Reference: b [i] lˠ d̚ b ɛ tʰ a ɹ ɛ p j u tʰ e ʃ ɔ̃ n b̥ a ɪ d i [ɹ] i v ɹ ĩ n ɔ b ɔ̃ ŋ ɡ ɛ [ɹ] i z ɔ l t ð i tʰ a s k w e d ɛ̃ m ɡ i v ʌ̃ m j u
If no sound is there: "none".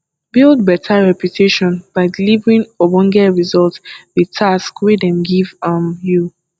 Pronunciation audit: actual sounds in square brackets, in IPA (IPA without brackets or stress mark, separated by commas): i, l, ɹ